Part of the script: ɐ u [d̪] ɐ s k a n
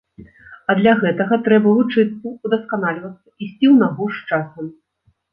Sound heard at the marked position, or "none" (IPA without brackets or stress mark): d̪